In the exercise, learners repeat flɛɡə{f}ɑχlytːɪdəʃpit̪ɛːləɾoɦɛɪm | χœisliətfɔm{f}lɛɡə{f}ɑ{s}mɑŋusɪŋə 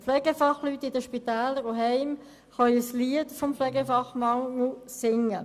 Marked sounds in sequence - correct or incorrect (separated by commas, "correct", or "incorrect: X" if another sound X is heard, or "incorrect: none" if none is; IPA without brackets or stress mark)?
correct, correct, correct, incorrect: χ